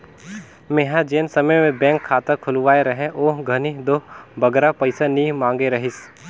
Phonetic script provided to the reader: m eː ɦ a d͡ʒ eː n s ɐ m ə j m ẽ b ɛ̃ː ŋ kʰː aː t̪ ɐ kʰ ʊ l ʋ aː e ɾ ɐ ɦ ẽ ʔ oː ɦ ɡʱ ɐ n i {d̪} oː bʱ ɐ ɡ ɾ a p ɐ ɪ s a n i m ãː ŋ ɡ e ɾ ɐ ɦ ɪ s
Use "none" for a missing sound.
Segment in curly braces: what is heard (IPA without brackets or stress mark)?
d̪